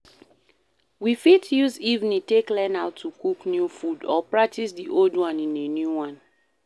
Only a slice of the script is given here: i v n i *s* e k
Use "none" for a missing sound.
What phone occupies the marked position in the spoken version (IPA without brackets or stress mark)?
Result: t